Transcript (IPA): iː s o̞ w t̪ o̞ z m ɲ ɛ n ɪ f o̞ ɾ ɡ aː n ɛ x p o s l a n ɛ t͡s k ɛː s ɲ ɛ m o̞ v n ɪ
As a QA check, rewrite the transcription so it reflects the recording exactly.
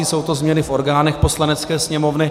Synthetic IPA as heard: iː s o̞ w t̪ o̞ z m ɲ ɛ n ɪ f o̞ ɾ ɡ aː n ɛ x p o s l a n ɛ t͡s k ɛː s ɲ ɛ m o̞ v n ɪ